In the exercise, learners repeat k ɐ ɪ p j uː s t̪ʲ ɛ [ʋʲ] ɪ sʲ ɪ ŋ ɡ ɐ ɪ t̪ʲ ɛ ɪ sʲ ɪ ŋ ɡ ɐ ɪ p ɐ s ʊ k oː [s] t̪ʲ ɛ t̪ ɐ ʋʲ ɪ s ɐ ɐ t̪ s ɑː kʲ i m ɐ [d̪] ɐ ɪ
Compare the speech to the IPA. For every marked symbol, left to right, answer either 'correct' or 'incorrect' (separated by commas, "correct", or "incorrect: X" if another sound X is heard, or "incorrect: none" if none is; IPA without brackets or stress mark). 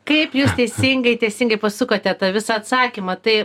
incorrect: none, incorrect: none, incorrect: t̪